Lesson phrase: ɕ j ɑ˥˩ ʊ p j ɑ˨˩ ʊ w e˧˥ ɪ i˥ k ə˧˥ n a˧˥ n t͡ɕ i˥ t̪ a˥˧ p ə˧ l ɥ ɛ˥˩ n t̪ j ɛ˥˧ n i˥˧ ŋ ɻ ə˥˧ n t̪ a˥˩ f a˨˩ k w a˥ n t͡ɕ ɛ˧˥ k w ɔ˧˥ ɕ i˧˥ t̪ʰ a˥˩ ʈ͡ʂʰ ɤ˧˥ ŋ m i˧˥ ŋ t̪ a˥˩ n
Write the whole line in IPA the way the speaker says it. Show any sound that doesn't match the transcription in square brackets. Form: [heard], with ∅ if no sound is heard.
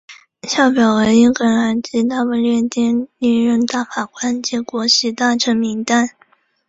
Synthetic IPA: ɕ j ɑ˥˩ ʊ p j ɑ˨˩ ʊ w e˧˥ ɪ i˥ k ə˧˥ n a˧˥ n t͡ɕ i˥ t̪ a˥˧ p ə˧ l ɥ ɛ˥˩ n t̪ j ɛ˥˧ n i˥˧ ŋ ɻ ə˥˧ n t̪ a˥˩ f a˨˩ k w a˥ n t͡ɕ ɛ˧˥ k w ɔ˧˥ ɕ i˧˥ [t̪] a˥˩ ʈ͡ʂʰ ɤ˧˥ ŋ m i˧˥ ŋ t̪ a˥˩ n